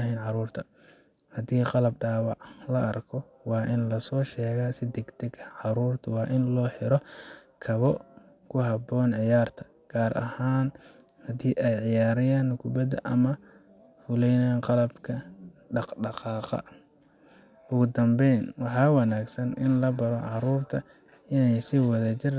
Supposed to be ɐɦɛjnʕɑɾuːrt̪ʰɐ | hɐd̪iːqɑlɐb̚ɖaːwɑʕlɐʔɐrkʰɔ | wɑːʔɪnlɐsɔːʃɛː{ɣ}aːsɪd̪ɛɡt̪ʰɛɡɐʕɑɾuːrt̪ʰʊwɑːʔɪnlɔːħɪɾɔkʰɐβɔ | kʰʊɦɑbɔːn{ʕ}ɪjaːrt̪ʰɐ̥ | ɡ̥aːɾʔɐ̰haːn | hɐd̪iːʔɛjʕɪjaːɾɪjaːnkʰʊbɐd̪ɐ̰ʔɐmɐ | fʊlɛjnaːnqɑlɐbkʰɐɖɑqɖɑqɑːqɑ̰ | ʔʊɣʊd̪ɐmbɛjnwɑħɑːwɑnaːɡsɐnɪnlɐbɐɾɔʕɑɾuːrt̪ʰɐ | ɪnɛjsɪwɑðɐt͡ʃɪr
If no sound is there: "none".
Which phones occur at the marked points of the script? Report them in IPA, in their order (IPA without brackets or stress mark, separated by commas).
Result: ɣ, ʕ